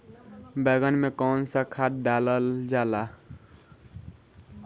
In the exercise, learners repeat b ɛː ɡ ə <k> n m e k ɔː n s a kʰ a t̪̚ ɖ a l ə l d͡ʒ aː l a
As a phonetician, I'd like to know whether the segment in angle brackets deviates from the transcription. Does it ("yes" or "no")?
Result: yes